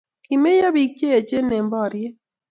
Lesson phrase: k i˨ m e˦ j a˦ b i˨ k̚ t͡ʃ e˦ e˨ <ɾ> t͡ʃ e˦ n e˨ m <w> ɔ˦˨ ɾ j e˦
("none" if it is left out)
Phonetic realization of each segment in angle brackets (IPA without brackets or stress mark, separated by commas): none, b